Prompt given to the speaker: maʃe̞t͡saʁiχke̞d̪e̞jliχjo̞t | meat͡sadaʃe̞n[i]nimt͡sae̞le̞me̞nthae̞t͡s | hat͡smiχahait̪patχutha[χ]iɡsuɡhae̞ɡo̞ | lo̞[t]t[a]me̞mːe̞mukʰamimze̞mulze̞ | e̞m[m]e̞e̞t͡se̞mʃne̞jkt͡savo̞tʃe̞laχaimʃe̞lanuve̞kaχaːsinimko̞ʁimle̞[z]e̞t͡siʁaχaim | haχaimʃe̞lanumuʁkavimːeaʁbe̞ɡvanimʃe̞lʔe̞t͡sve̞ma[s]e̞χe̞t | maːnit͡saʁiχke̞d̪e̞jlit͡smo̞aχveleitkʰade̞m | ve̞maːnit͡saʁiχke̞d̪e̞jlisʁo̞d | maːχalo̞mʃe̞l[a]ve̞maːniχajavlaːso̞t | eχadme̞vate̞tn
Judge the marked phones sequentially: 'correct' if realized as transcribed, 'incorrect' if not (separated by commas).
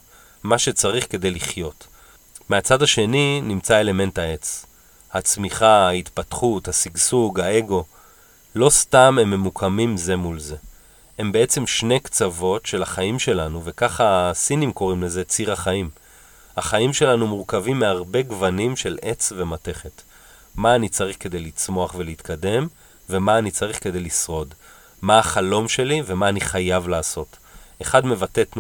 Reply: correct, incorrect, incorrect, correct, incorrect, correct, incorrect, incorrect